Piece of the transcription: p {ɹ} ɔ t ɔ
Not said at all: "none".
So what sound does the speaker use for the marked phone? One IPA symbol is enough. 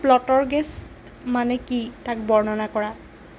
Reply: l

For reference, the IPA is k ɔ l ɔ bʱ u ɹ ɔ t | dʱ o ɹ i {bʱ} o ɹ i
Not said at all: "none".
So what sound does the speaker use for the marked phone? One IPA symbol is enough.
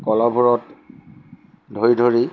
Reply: dʱ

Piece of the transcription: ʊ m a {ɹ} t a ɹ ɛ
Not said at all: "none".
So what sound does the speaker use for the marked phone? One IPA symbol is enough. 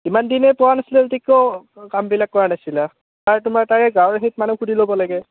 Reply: ɹ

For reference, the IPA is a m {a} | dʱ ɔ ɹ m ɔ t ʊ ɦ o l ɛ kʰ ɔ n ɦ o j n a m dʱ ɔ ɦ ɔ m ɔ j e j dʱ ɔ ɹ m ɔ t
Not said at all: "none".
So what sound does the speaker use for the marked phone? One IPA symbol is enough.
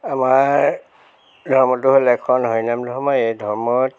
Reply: a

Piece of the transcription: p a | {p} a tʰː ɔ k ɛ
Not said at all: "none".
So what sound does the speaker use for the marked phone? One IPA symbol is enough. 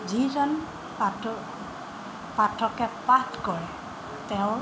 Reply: p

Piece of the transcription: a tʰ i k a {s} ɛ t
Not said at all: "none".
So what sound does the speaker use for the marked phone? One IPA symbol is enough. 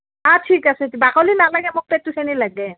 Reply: s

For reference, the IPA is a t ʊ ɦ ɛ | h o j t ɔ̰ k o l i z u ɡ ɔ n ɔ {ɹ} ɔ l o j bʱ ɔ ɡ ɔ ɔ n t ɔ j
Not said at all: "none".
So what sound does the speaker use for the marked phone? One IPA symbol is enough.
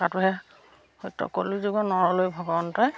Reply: ɹ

